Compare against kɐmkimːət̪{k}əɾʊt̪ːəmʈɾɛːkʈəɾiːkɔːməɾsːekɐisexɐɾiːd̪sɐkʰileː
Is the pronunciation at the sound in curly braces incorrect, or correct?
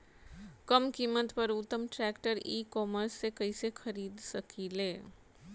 incorrect